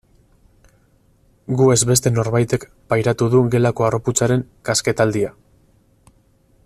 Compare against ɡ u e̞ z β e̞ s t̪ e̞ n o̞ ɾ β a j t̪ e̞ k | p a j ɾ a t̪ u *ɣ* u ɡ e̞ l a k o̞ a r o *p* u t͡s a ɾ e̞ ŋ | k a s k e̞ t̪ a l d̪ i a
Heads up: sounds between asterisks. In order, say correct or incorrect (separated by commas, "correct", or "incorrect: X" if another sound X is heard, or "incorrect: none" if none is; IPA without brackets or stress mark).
incorrect: ð, correct